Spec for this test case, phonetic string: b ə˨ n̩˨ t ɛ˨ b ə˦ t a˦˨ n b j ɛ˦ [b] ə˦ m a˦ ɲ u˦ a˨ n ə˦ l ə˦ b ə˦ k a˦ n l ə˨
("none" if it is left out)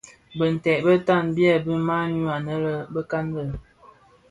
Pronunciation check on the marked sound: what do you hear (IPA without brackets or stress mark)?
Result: b